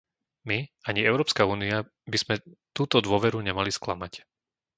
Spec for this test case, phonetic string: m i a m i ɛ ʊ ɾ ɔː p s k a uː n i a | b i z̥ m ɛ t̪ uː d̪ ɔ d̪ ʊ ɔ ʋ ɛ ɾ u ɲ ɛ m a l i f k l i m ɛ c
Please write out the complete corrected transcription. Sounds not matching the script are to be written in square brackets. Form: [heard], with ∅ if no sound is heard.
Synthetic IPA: m i a [ɲ] i ɛ ʊ ɾ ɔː p s k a uː n i a | b i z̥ m ɛ t̪ uː [t̪] ɔ d̪ ʊ ɔ ʋ ɛ ɾ u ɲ ɛ m a l i [s] k l [a] m [a] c